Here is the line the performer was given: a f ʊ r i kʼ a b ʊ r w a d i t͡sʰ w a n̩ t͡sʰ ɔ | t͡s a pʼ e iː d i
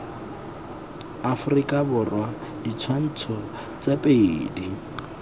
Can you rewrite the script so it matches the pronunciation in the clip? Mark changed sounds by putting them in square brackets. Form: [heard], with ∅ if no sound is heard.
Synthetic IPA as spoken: a f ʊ r i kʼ a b ʊ r w a d i t͡sʰ w a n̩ t͡sʰ ɔ | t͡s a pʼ e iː d i